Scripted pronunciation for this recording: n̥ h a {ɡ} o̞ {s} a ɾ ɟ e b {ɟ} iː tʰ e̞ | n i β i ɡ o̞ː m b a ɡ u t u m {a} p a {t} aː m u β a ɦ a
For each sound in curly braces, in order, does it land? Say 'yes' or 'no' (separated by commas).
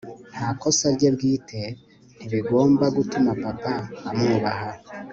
no, yes, no, yes, no